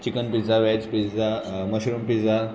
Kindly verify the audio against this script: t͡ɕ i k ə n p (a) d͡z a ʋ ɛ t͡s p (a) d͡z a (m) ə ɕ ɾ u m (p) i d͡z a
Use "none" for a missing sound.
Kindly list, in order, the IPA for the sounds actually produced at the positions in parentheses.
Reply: i, i, m, p

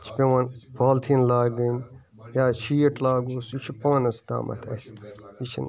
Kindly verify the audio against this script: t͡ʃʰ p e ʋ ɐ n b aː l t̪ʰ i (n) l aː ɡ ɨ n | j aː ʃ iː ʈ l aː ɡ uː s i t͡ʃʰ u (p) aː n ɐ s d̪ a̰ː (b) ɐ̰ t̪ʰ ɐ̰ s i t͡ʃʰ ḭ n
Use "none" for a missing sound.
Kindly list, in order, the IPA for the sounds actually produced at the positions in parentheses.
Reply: n, p, m

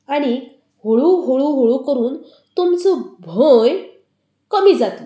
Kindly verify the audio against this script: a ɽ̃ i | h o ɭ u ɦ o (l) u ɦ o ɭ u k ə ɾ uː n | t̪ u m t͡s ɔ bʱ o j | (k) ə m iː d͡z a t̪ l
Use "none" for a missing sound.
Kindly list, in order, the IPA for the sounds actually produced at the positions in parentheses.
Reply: ɭ, k

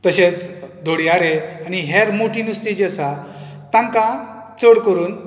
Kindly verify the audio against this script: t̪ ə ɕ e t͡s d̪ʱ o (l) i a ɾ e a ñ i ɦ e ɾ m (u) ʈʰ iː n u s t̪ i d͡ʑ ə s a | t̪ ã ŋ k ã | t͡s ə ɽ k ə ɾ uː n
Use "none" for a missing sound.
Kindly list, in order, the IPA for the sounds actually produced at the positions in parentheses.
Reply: ɽ, o

